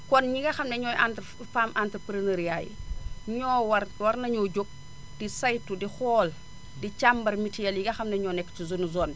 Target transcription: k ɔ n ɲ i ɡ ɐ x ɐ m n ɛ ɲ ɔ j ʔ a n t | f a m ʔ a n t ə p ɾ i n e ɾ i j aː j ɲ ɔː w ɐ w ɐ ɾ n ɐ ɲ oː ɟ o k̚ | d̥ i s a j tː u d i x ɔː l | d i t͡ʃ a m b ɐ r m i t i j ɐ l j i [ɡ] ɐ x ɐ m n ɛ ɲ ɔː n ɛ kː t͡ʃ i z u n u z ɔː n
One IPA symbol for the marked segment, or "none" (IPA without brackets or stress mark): ɡ